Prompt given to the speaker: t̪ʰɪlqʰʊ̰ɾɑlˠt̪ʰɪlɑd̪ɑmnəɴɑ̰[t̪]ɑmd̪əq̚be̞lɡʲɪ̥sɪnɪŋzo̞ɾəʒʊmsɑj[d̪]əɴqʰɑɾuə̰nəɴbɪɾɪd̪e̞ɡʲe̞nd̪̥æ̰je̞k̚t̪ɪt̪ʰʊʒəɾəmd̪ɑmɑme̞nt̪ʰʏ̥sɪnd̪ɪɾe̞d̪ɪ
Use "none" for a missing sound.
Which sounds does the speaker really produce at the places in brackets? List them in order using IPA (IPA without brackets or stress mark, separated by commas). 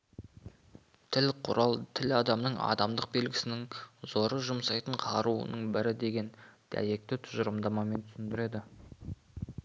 d̪, t̪